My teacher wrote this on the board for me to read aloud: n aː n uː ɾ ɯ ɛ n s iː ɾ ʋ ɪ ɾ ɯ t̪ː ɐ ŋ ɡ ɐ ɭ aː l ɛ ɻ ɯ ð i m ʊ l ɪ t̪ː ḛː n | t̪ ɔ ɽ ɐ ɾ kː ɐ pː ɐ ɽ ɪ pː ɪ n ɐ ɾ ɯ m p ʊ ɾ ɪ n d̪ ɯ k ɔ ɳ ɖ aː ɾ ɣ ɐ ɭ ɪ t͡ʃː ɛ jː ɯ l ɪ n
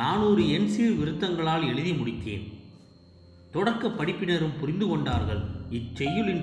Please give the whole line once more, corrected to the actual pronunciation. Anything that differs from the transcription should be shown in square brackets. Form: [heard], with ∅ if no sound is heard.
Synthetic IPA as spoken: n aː n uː ɾ ɯ ɛ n s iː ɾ ʋ ɪ ɾ ɯ t̪ː ɐ ŋ ɡ ɐ ɭ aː l ɛ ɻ ɯ ð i m ʊ [ɽ] ɪ t̪ː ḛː n | t̪ ɔ ɽ ɐ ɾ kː ɐ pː ɐ ɽ ɪ pː ɪ n ɐ ɾ ɯ m p ʊ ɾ ɪ n d̪ ɯ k ɔ ɳ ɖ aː ɾ ɣ ɐ ɭ ɪ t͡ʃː ɛ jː ɯ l ɪ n